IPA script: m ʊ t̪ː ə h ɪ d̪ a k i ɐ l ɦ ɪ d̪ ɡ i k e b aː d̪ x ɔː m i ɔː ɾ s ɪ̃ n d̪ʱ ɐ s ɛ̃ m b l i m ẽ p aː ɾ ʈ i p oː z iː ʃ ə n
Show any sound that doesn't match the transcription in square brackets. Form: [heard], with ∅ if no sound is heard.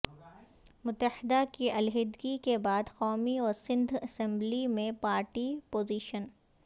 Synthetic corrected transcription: m ʊ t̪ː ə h ɪ d̪ a k i ɐ l ɦ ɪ d̪ ɡ i k e b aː d̪ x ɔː m i ɔː ɾ s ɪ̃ n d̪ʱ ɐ s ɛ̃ m b l i m ẽ p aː ɾ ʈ i p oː z iː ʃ ə n